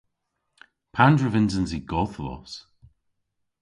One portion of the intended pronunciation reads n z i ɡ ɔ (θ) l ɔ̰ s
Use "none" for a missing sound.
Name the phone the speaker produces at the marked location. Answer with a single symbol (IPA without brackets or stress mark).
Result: θ